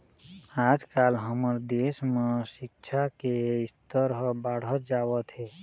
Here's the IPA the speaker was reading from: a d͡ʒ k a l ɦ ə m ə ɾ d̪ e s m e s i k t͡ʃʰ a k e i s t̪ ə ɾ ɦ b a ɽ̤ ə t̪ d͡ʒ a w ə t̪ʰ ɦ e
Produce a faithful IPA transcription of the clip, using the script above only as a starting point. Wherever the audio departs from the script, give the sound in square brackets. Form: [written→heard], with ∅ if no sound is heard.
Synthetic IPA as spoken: a d͡ʒ k a l ɦ ə m ə ɾ d̪ e s m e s i k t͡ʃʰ a k e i s t̪ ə ɾ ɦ b a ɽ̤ ə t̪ d͡ʒ a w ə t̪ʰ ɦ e